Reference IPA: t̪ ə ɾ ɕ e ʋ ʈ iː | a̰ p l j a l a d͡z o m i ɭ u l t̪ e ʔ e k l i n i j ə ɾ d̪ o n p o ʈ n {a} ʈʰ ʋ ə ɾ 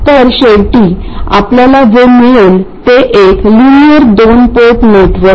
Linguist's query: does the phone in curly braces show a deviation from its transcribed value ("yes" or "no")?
yes